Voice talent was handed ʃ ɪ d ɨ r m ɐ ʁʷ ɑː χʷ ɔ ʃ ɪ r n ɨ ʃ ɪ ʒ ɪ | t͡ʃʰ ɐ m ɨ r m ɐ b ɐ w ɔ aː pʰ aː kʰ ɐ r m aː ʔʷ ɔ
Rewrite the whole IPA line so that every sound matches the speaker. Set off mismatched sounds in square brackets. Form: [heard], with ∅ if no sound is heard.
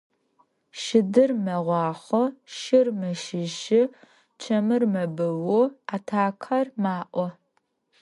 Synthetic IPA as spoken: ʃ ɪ d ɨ r m ɐ ʁʷ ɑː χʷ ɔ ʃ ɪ r [m] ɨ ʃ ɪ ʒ ɪ | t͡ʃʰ ɐ m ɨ r m ɐ b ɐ w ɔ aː [tʰ] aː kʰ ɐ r m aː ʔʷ ɔ